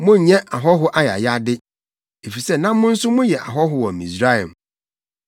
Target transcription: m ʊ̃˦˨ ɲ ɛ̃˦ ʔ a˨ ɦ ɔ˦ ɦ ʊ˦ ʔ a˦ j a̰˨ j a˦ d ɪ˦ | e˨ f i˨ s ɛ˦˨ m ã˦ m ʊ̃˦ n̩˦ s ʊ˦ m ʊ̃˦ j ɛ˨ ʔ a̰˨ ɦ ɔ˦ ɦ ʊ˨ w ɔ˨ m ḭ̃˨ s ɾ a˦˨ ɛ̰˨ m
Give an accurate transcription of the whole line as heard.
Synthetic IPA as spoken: m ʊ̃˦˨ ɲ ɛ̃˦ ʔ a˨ ɦ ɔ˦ ɦ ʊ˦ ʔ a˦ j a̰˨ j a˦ d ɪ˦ | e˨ f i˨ s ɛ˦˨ n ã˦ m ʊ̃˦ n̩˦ s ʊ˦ m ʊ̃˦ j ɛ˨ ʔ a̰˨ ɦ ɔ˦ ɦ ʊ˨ w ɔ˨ m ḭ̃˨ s ɾ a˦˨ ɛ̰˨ m